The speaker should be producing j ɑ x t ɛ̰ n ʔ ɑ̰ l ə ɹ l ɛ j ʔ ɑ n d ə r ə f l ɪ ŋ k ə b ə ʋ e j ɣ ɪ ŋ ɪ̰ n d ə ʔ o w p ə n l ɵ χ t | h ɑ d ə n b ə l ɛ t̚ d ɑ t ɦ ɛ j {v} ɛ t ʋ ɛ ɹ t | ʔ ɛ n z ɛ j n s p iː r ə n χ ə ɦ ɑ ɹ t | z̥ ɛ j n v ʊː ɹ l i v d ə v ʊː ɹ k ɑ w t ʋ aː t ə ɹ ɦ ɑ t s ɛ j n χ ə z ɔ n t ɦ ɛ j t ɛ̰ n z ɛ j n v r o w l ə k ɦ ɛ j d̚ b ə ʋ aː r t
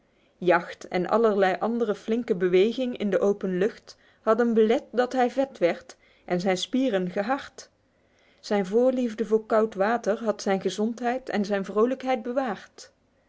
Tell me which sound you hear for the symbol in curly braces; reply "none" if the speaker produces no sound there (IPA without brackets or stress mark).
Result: v